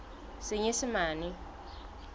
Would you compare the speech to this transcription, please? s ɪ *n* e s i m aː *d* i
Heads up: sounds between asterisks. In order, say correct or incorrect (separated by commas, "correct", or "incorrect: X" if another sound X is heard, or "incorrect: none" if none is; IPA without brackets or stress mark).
incorrect: ɲ, incorrect: n